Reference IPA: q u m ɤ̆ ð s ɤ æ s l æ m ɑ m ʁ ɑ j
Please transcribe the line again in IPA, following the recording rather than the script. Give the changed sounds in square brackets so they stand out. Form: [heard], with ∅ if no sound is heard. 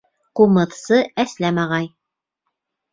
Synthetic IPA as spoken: q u m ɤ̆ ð s ɤ æ s l æ m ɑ [∅] ʁ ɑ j